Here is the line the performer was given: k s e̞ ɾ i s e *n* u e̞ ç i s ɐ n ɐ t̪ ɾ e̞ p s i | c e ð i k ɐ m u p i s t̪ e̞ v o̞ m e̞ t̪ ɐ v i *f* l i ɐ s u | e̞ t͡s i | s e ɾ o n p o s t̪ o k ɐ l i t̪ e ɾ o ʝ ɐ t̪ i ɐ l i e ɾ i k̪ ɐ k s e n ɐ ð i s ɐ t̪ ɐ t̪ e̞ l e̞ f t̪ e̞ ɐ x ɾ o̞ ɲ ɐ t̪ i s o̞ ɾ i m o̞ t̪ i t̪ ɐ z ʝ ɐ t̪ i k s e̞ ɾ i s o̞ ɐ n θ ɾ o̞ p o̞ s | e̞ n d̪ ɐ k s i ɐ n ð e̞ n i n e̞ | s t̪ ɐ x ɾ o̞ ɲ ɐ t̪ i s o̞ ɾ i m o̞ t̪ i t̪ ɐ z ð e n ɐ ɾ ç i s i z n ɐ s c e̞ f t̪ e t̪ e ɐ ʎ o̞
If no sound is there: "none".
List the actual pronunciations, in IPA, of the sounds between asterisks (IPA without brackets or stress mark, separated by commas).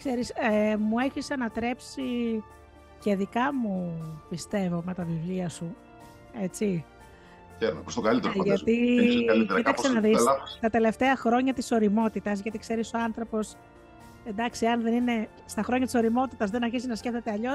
m, v